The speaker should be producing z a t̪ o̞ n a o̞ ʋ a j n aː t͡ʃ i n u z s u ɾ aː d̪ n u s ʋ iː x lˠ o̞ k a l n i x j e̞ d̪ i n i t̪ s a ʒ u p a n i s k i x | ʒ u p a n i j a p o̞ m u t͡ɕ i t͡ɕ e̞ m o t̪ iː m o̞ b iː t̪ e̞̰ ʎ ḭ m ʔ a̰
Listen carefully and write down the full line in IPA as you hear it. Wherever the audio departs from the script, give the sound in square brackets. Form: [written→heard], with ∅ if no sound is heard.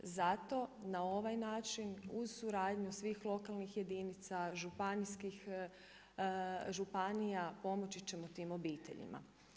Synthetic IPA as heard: z a t̪ o̞ n a o̞ ʋ a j n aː t͡ʃ i n u z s u ɾ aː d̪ [n→ɲ] u s ʋ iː x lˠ o̞ k a l n i x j e̞ d̪ i n i t̪ s a ʒ u p a n i s k i x | ʒ u p a n i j a p o̞ m [u→o] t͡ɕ i t͡ɕ e̞ m o t̪ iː m o̞ b iː t̪ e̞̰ ʎ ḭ m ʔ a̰